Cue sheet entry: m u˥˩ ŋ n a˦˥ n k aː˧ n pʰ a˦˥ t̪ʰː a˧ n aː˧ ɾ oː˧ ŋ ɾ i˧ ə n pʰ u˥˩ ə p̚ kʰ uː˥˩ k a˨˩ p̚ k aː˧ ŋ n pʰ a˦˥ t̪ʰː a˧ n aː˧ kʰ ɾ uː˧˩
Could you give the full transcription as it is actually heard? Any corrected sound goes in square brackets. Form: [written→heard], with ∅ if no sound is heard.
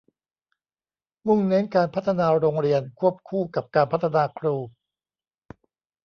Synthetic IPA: m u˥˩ ŋ n [a˦˥→e˦˥] n k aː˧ n pʰ a˦˥ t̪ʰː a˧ n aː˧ ɾ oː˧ ŋ ɾ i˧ ə n [pʰ→kʰ] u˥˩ ə p̚ kʰ uː˥˩ k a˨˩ p̚ k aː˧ [ŋ→∅] n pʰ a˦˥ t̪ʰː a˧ n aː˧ kʰ ɾ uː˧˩

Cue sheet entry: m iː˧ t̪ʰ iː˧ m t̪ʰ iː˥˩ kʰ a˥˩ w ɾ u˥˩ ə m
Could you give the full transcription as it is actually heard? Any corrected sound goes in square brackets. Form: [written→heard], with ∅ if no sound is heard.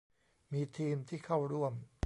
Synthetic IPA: m iː˧ t̪ʰ iː˧ m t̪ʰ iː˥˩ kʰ a˥˩ w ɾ u˥˩ ə m

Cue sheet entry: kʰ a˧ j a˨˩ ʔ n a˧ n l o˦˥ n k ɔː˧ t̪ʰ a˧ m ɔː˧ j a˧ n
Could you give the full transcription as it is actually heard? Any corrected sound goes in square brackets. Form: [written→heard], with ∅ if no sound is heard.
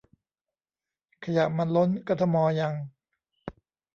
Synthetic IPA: kʰ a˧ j a˨˩ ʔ [n→m] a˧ n l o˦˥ n k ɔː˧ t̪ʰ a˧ m ɔː˧ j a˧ [n→ŋ]

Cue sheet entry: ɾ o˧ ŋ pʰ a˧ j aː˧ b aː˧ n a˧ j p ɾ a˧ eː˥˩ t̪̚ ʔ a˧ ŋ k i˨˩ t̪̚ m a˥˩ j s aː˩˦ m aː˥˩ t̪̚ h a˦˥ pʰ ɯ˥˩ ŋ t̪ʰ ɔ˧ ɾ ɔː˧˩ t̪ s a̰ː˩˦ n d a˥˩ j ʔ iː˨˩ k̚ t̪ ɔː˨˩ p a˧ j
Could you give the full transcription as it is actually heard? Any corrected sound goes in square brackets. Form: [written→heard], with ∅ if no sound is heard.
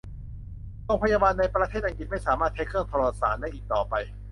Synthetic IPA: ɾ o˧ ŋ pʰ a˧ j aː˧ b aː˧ [n→nː] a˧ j p ɾ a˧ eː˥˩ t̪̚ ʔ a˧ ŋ k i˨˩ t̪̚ m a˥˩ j s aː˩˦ m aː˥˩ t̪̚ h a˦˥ [pʰ→kʰ] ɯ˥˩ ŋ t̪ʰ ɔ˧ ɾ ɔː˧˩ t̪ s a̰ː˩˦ n d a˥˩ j ʔ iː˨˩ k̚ t̪ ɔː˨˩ p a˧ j

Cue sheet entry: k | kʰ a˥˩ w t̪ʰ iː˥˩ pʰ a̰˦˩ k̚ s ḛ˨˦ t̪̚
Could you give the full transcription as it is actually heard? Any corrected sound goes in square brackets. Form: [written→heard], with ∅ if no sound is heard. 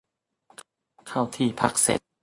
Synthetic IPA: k | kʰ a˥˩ w t̪ʰ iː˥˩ pʰ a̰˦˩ k̚ s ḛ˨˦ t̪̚

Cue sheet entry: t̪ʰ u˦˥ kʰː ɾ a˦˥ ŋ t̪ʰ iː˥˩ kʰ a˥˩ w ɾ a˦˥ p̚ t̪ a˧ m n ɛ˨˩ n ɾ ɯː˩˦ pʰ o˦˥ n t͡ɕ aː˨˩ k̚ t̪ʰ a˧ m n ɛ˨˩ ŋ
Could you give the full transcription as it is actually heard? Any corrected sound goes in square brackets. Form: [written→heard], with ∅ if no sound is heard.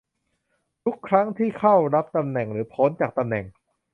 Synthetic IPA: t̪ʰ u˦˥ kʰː ɾ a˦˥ ŋ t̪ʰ iː˥˩ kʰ a˥˩ w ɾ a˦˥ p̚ t̪ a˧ m n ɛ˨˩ [n→ŋ] ɾ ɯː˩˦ pʰ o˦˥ n t͡ɕ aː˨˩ k̚ [t̪ʰ→t̪] a˧ m n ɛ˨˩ ŋ

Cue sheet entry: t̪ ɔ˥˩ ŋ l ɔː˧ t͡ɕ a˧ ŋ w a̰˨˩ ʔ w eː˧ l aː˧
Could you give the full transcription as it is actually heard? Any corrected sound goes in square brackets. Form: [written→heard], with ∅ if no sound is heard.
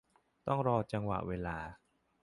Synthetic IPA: t̪ ɔ˥˩ ŋ [l→ɾ] ɔː˧ t͡ɕ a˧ ŋ w a̰˨˩ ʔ w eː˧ l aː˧

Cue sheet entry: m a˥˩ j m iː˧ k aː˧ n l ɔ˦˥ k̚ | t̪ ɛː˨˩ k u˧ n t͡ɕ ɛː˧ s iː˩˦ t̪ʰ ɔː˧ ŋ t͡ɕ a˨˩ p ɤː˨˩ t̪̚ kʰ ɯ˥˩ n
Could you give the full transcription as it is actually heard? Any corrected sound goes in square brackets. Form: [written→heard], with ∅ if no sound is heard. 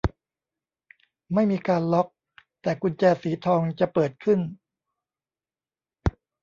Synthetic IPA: m a˥˩ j m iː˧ k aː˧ n l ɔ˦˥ k̚ | t̪ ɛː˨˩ k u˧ n t͡ɕ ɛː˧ s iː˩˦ t̪ʰ ɔː˧ ŋ t͡ɕ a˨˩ p ɤː˨˩ t̪̚ kʰ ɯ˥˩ n

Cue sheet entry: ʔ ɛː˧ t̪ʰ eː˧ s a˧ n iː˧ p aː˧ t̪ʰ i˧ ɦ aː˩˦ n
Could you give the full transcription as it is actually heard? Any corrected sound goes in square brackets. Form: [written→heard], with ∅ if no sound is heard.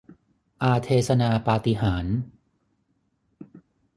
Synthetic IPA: ʔ [ɛː˧→aː˧] t̪ʰ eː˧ s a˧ n [iː˧→aː˧] p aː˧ [t̪ʰ→t̪] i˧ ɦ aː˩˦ n

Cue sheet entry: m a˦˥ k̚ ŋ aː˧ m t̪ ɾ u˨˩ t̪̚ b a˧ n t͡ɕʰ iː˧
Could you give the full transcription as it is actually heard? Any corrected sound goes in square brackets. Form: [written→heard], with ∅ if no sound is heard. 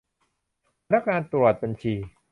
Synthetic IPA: [m→n] a˦˥ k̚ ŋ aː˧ [m→n] t̪ ɾ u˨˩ t̪̚ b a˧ n t͡ɕʰ iː˧

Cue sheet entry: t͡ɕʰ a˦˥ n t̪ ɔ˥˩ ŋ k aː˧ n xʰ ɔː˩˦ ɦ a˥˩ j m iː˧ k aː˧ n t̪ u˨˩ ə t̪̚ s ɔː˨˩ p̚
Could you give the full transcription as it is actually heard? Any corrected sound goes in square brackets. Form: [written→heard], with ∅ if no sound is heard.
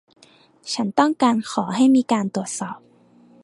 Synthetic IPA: t͡ɕʰ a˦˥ n t̪ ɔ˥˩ ŋ k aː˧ n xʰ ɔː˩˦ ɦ a˥˩ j m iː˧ k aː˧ n t̪ u˨˩ ə t̪̚ s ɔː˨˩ p̚

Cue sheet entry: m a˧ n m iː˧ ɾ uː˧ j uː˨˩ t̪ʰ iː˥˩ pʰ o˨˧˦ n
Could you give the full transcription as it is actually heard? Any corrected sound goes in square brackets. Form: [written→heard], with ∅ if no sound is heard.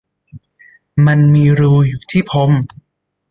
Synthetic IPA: m a˧ n m iː˧ ɾ uː˧ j uː˨˩ t̪ʰ iː˥˩ pʰ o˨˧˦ [n→m]

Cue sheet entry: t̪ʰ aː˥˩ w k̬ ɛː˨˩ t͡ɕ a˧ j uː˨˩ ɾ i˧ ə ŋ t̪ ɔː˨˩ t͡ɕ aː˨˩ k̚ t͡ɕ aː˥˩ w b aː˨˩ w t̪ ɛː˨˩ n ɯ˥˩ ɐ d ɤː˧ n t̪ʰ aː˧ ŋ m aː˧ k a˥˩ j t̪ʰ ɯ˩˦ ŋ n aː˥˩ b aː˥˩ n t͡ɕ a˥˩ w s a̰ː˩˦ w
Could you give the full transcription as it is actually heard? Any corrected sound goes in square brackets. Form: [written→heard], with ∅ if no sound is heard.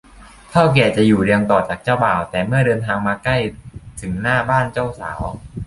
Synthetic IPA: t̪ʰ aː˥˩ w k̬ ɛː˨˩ t͡ɕ [a˧→a˨˩] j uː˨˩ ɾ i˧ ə ŋ t̪ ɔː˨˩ t͡ɕ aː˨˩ k̚ t͡ɕ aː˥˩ w b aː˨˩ w t̪ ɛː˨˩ [n→m] ɯ˥˩ ɐ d ɤː˧ n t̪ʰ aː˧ ŋ m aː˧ k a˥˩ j t̪ʰ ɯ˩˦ ŋ n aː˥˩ b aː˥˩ n t͡ɕ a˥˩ w s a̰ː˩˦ w

